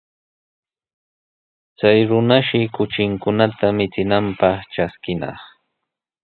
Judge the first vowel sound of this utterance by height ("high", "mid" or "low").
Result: low